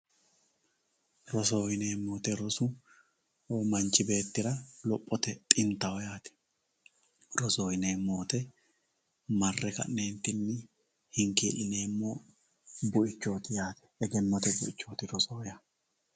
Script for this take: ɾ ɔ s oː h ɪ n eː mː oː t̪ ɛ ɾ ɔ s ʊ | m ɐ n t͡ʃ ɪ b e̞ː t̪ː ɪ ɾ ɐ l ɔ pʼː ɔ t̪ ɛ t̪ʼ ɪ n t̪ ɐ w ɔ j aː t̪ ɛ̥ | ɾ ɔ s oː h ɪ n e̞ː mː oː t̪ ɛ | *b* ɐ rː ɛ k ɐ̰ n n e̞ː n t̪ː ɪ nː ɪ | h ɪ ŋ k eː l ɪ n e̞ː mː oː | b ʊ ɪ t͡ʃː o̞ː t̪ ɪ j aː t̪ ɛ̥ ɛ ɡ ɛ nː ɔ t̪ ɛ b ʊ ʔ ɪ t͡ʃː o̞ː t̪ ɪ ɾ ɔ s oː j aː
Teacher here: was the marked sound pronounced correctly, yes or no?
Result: no